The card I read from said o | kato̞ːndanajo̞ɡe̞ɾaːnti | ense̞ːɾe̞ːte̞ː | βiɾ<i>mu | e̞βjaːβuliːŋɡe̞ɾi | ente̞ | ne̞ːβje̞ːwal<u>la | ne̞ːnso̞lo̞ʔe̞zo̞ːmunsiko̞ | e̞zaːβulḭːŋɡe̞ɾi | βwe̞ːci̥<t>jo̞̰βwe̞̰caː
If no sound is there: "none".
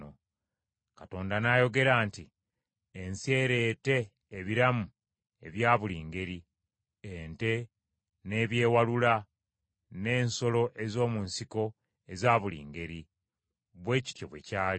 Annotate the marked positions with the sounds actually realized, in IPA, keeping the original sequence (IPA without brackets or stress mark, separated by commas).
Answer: a, u, t